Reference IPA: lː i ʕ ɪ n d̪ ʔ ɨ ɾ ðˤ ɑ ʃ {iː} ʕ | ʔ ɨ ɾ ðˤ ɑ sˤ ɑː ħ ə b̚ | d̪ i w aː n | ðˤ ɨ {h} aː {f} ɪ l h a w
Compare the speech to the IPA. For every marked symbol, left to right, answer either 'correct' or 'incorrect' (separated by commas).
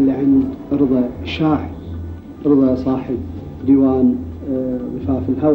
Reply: incorrect, incorrect, correct